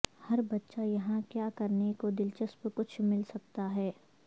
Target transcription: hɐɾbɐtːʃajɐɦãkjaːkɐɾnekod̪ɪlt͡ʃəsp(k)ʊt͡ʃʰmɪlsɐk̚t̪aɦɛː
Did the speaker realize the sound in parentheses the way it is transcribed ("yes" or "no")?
yes